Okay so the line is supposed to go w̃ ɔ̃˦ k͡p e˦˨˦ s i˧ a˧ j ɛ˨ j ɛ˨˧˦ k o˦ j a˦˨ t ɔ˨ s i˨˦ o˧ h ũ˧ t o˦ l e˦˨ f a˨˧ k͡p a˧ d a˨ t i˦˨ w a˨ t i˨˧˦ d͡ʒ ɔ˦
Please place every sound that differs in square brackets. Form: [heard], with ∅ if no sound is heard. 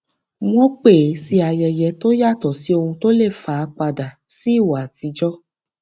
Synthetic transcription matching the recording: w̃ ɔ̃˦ k͡p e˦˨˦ s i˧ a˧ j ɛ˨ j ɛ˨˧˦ [t] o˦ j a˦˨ t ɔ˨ s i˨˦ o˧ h ũ˧ t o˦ l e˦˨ f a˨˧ k͡p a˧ d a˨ [s] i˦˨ w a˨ t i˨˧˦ d͡ʒ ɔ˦